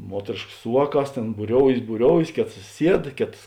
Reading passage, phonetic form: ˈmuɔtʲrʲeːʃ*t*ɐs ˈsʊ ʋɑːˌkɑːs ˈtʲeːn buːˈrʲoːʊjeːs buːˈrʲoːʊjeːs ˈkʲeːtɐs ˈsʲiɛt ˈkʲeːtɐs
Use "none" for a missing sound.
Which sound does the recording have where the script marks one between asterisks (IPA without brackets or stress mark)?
k